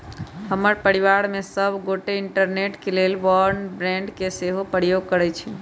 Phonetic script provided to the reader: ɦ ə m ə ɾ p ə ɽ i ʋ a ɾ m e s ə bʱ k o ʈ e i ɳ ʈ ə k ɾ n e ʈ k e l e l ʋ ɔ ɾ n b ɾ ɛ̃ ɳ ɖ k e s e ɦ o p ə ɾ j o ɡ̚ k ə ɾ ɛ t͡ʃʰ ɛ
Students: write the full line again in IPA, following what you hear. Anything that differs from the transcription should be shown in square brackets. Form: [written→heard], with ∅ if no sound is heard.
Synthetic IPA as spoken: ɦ ə m ə ɾ p ə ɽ i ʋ a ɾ m e s ə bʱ [k→ɡ] o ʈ e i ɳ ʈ ə [k→∅] ɾ n e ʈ k e l e l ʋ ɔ ɾ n b ɾ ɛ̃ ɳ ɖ k e s e ɦ o p ə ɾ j o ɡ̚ k ə ɾ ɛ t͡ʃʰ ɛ